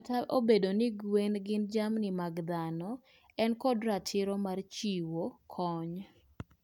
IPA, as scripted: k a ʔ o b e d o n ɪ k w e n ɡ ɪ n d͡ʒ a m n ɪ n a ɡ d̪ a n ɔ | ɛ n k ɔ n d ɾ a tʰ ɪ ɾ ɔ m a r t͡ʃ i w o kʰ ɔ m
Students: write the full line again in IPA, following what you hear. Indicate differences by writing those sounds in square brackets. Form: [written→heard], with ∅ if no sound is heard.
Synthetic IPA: [k→t] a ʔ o b e d o n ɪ [k→ɡ] w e n ɡ ɪ n d͡ʒ a m n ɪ [n→m] a ɡ d̪ a n ɔ | ɛ n k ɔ [n→∅] d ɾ a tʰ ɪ ɾ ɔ m a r t͡ʃ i w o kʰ ɔ [m→ɲ]